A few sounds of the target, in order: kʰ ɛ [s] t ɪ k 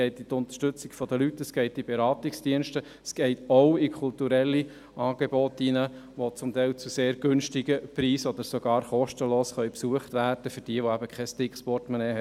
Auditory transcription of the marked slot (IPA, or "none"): s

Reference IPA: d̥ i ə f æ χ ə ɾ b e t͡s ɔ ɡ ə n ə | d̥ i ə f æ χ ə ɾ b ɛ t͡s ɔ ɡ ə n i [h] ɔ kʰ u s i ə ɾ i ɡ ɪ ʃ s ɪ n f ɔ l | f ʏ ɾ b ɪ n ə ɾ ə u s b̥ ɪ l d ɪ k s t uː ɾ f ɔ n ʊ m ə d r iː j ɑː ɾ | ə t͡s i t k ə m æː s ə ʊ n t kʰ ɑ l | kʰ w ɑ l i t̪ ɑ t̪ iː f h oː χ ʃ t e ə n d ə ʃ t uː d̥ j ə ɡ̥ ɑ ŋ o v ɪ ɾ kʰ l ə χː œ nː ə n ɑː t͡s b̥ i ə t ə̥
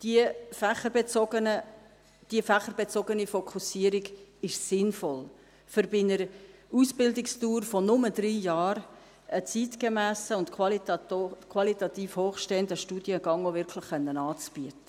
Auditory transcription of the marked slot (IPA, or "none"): f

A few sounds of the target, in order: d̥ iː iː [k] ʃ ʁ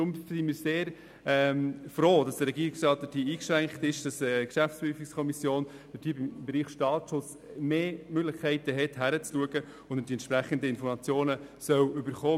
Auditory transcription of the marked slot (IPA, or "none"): k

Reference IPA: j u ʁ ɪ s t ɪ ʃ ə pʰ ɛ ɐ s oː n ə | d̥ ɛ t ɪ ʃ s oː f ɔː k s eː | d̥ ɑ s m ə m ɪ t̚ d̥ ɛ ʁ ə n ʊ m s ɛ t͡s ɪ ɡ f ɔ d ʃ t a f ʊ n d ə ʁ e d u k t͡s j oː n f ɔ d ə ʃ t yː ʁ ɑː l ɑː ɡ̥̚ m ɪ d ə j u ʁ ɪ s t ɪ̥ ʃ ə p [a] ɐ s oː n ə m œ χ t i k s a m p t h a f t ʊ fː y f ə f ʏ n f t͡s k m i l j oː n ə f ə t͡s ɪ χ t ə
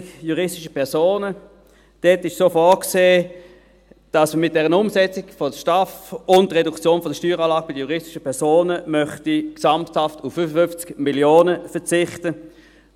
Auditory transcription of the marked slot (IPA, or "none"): ɛ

